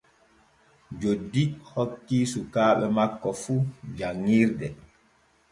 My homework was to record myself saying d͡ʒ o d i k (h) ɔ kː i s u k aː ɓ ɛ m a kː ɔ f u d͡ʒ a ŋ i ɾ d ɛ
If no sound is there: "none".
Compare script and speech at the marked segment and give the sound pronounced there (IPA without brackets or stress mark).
h